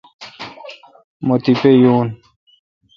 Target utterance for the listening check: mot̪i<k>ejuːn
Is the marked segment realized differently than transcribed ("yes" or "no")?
yes